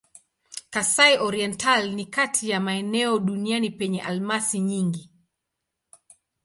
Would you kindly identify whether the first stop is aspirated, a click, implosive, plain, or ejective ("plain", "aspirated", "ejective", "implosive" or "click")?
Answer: plain